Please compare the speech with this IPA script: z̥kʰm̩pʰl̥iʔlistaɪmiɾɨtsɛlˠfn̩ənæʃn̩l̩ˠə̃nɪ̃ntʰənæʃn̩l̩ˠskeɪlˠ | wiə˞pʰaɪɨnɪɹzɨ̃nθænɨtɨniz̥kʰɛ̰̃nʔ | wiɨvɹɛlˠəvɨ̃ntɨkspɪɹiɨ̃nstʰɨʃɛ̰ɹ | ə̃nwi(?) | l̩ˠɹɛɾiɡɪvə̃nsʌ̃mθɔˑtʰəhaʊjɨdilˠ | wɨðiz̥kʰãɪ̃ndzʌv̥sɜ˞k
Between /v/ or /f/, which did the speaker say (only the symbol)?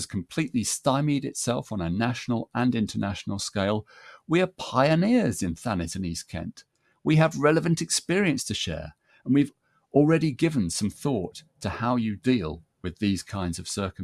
v